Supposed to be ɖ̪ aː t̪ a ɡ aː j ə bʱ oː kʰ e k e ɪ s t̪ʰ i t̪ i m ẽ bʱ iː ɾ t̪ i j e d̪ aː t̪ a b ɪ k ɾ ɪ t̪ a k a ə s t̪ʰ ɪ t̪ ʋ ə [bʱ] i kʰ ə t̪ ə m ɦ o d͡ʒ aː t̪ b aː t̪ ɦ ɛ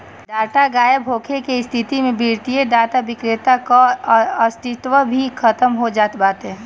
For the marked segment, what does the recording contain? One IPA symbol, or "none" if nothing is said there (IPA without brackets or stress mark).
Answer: bʱ